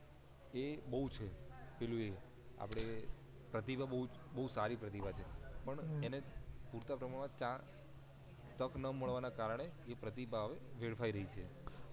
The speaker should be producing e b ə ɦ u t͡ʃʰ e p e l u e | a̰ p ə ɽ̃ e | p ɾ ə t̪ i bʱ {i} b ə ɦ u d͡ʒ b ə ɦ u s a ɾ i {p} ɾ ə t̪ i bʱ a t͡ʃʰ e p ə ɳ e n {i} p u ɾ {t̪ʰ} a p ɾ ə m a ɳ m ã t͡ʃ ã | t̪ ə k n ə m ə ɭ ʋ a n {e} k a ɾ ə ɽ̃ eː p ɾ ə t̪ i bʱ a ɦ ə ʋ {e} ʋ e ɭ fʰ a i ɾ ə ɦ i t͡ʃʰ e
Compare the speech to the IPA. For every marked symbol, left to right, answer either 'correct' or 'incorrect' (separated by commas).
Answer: incorrect, correct, incorrect, incorrect, incorrect, correct